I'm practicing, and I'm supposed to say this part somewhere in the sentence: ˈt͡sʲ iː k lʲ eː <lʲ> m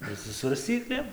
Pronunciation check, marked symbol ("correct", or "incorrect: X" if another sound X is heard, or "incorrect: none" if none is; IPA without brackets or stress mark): incorrect: none